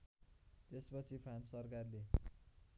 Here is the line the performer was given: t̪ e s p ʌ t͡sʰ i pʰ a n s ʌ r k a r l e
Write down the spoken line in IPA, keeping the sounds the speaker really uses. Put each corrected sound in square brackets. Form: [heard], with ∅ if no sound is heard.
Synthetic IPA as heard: t̪ e s p ʌ t͡sʰ i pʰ a n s ʌ r k a r l e